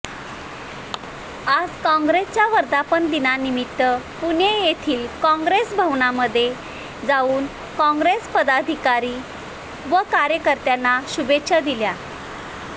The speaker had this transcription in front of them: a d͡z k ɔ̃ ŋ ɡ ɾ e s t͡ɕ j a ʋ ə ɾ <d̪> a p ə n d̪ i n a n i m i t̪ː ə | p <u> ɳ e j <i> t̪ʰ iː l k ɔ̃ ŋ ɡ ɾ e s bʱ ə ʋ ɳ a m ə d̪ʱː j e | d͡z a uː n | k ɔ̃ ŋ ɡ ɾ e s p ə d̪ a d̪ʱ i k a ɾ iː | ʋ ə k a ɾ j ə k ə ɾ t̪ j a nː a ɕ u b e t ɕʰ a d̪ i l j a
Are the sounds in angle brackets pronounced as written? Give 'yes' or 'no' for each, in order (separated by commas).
yes, yes, no